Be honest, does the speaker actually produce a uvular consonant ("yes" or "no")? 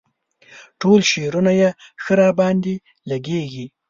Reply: no